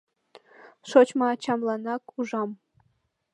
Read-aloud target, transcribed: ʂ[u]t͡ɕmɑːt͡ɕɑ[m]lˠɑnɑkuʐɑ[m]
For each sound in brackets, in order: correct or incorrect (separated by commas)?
incorrect, correct, correct